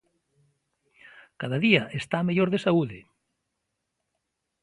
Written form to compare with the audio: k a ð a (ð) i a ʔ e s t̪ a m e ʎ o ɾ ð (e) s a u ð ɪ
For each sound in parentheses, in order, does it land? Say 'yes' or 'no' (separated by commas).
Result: yes, yes